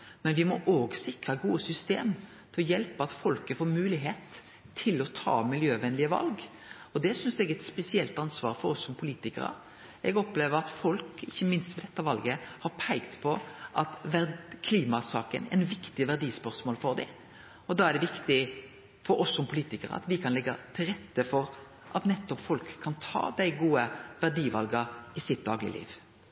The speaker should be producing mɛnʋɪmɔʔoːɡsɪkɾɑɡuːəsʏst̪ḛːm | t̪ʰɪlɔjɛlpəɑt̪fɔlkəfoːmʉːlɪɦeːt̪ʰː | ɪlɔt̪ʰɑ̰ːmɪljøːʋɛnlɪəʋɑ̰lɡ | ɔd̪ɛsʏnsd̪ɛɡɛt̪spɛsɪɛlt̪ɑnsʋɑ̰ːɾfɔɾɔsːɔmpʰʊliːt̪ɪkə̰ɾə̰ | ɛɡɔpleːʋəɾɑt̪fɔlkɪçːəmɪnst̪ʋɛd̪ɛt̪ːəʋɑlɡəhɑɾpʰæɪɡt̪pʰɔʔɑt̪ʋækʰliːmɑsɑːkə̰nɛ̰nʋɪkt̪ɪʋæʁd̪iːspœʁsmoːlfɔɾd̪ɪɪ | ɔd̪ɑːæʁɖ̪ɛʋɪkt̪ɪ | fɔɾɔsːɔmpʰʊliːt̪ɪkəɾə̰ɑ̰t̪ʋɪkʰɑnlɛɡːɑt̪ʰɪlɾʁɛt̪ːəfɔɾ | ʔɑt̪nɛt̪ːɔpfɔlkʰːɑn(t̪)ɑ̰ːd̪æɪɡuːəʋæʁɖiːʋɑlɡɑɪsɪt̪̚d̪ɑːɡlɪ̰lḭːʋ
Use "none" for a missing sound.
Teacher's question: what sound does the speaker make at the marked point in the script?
t̪ʰ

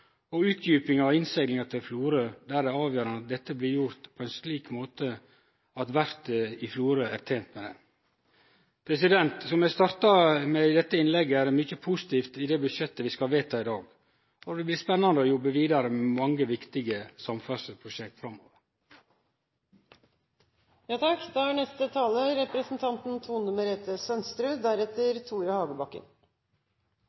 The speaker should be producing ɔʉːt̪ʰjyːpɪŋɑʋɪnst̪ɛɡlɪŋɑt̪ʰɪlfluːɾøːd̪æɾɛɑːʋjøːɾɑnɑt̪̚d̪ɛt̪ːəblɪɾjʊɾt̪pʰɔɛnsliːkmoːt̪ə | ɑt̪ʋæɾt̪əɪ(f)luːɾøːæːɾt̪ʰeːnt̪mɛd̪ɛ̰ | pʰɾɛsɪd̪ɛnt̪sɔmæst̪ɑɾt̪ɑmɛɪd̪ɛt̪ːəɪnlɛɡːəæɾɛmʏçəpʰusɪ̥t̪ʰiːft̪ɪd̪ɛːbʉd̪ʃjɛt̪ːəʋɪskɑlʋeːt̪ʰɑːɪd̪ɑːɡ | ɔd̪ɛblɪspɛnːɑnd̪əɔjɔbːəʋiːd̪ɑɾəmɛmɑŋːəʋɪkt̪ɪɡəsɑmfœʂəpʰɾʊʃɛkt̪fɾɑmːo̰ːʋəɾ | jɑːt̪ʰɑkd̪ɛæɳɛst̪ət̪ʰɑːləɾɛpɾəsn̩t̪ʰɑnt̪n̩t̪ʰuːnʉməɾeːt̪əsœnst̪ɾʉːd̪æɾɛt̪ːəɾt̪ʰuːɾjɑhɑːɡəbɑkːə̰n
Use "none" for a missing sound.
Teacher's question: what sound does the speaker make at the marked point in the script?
f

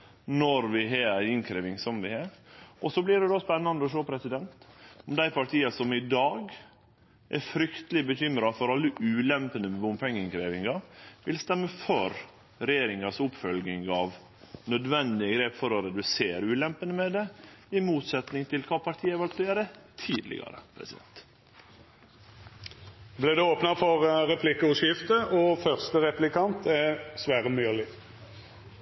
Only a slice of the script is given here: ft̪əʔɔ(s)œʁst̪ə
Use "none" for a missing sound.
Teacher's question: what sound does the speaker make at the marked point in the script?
f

